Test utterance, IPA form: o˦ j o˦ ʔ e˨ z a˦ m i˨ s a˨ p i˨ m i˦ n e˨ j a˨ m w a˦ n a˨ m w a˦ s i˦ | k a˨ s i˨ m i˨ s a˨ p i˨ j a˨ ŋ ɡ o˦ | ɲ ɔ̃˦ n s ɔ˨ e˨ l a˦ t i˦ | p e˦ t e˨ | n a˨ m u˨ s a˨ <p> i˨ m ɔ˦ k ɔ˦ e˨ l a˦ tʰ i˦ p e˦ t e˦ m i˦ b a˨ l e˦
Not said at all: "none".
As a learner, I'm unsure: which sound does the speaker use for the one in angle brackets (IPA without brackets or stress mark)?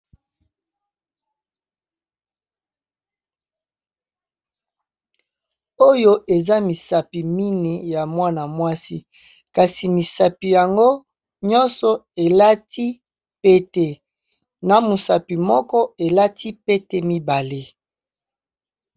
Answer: p